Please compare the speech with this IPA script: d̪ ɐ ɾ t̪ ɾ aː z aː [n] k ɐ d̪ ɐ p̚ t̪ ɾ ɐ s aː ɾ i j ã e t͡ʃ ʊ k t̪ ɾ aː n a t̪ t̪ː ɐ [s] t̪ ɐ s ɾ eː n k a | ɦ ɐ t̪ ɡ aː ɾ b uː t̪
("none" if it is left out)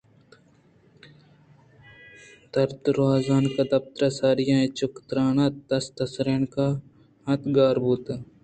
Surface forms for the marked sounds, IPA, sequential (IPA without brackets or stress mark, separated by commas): n, s